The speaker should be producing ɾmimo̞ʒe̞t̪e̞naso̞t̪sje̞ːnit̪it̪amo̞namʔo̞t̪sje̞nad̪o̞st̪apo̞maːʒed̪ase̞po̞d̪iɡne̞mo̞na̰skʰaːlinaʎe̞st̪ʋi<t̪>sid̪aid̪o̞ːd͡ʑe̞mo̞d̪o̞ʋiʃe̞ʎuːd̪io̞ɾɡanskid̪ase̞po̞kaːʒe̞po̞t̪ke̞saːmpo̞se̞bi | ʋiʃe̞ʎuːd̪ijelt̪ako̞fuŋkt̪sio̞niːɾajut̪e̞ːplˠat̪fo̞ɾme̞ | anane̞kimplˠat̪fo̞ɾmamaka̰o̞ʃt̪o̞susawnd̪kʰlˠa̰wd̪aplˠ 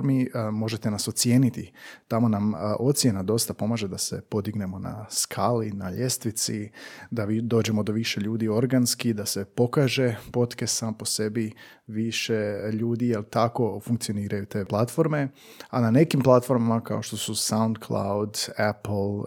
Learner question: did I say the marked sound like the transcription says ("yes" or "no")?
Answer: yes